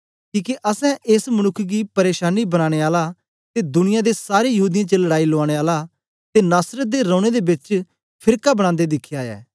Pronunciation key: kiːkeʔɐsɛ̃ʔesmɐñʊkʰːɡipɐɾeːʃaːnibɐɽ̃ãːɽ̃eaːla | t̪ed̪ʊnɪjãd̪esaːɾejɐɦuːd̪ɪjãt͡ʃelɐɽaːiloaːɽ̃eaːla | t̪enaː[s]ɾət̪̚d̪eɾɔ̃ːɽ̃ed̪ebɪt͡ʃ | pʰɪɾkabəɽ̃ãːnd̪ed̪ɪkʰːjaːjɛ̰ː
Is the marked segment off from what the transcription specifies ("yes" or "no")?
no